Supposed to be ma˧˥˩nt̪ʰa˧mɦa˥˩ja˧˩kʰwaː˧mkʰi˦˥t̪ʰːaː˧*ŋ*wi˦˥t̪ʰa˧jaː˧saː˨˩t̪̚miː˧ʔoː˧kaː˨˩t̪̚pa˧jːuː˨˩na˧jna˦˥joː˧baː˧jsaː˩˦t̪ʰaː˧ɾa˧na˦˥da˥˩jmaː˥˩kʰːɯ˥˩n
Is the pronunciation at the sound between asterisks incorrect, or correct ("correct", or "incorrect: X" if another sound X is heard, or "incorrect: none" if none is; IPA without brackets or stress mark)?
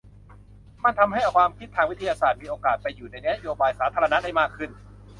correct